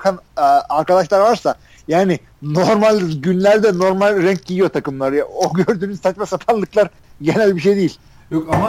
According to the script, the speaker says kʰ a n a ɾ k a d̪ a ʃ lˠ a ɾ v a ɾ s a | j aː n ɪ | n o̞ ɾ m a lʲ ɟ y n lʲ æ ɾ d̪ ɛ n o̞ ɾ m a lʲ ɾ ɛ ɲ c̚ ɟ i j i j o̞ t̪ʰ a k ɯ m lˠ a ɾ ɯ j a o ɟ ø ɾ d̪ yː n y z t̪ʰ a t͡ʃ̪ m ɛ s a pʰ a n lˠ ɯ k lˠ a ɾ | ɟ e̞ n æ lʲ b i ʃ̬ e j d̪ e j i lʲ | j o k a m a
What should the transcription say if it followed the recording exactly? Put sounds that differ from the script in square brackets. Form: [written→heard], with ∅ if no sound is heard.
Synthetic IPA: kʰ a n a ɾ k a d̪ a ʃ lˠ a ɾ v a ɾ s a | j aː n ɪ | n o̞ ɾ m a lʲ ɟ y n lʲ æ ɾ d̪ ɛ n o̞ ɾ m a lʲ ɾ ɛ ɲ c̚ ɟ i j i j o̞ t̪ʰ a k ɯ m lˠ a ɾ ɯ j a o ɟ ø ɾ d̪ yː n y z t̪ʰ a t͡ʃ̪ m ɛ s a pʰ a n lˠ ɯ k lˠ a ɾ | ɟ e̞ n æ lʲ b i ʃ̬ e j d̪ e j i lʲ | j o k a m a